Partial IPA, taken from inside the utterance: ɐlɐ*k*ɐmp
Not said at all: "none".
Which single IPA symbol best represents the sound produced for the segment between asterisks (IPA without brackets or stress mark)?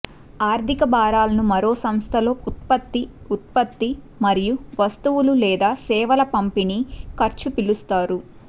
p